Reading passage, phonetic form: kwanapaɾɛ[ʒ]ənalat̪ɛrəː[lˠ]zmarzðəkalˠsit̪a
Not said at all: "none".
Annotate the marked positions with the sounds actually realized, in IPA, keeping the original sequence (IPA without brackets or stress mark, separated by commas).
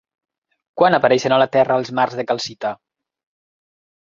ʃ, lˠ